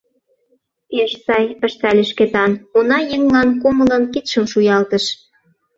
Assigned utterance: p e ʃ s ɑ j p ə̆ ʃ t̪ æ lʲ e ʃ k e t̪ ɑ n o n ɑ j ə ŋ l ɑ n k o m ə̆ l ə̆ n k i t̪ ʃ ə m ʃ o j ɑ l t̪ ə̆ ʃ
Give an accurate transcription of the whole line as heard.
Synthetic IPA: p e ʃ s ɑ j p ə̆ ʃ t̪ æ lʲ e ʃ k e t̪ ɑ n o n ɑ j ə ŋ l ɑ n k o m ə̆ l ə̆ n k i t̪ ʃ ə m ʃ u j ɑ l t̪ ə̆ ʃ